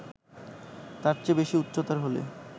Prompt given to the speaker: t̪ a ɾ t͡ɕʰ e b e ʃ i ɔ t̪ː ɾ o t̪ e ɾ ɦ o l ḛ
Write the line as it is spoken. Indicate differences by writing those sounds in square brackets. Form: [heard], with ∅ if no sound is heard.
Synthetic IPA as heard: t̪ a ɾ [t͡ɕ] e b e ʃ i [u] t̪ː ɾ o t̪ [a] ɾ ɦ o l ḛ